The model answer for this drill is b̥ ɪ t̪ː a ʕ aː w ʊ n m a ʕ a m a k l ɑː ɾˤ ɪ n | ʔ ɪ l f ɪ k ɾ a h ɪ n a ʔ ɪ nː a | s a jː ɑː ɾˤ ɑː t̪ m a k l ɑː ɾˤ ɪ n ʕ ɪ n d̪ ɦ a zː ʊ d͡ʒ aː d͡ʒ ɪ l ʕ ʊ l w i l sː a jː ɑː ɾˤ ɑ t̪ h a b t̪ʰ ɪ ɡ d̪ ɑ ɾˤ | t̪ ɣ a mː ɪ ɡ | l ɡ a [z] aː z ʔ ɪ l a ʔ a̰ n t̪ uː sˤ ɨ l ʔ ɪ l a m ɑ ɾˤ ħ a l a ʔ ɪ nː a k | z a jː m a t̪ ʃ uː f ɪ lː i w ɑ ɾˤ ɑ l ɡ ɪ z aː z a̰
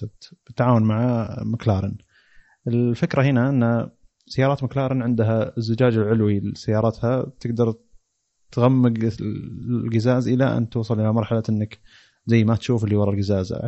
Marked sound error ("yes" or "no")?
no